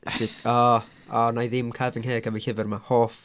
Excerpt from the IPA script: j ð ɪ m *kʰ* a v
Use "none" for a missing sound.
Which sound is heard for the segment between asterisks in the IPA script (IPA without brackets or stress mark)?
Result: kʰ